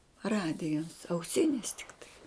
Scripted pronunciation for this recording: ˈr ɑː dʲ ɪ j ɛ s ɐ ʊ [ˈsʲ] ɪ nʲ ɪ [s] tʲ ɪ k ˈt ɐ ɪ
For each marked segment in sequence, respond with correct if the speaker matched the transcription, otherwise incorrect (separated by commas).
correct, correct